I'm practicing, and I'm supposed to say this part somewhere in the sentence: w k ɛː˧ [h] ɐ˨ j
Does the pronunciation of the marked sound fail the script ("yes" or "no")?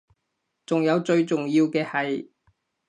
no